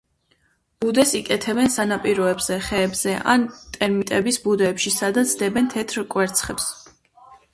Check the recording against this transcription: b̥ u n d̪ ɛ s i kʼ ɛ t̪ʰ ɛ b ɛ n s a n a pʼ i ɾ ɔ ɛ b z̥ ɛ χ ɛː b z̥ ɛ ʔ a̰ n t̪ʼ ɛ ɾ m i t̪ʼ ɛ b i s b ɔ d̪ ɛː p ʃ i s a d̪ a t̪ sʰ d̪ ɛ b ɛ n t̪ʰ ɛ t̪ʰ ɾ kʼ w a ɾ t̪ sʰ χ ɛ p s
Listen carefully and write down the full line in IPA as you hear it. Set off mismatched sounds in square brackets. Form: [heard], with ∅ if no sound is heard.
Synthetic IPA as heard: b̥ u [∅] d̪ ɛ s i kʼ ɛ t̪ʰ ɛ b ɛ n s a n a pʼ i ɾ ɔ ɛ b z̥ ɛ χ ɛː b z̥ ɛ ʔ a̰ n t̪ʼ ɛ ɾ m i t̪ʼ ɛ b i s b [u] d̪ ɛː p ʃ i s a d̪ a t̪ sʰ d̪ ɛ b ɛ n t̪ʰ ɛ t̪ʰ ɾ kʼ w [ɛ] ɾ t̪ sʰ χ ɛ p s